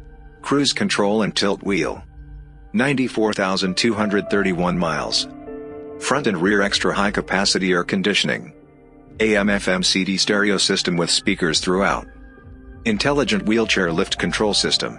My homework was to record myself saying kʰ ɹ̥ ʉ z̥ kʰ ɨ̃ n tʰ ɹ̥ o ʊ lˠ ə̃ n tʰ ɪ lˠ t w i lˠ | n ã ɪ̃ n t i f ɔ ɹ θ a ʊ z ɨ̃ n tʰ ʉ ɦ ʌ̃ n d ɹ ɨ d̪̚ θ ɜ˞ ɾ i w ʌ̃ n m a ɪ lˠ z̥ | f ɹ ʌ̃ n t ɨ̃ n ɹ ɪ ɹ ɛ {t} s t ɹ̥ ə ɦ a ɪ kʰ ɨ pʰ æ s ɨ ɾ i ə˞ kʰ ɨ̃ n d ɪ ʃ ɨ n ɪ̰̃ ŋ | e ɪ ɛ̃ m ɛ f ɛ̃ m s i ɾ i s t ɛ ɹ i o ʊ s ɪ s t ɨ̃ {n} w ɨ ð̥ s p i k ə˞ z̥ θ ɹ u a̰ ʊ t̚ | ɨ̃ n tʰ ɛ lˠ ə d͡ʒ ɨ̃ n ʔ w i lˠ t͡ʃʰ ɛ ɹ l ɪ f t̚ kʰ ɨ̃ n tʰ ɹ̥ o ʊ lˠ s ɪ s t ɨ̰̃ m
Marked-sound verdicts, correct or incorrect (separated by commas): incorrect, incorrect